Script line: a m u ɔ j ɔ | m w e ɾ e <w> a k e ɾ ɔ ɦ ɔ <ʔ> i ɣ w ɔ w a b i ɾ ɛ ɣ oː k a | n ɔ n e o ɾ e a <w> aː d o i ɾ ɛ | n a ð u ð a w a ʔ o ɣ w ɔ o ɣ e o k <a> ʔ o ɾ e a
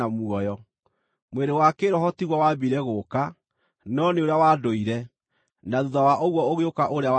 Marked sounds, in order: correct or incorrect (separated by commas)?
correct, incorrect, correct, correct